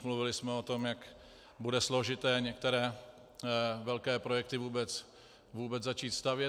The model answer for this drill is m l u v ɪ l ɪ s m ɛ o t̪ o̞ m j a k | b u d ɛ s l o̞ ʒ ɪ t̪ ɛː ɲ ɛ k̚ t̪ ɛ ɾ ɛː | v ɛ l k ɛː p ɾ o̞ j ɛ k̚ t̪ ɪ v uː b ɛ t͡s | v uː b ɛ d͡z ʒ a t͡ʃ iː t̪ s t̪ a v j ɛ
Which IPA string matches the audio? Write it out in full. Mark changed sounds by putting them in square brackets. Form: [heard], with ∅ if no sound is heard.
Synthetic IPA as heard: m l u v ɪ l ɪ s m ɛ o t̪ o̞ m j a k | b u d ɛ s l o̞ ʒ ɪ t̪ ɛː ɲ ɛ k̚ t̪ ɛ ɾ ɛː | v ɛ l k ɛː p ɾ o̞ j ɛ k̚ t̪ ɪ v uː b ɛ t͡s | v uː b ɛ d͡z [z] a t͡ʃ iː t̪ s t̪ a v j ɛ